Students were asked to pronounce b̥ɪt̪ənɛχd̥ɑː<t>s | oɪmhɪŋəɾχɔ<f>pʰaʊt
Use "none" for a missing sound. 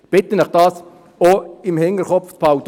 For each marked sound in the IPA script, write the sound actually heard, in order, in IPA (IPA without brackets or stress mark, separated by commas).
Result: none, f